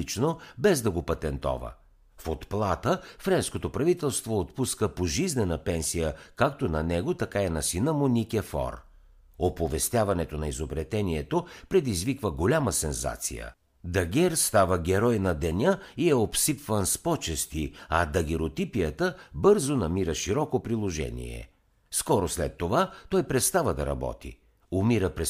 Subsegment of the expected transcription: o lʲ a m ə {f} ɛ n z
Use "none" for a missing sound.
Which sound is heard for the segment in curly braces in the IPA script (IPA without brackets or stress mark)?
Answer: s